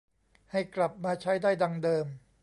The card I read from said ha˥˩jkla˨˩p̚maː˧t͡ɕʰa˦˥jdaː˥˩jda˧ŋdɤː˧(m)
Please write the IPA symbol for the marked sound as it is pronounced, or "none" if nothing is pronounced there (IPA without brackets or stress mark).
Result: m